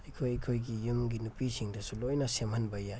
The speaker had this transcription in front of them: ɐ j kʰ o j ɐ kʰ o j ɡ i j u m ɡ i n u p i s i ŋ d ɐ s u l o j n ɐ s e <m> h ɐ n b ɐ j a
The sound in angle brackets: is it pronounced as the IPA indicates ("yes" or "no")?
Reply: yes